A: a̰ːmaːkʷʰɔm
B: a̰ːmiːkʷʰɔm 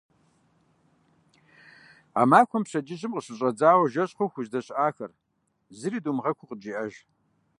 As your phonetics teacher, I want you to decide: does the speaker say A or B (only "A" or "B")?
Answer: A